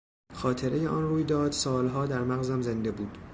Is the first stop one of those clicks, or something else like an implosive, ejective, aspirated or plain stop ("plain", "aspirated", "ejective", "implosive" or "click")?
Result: aspirated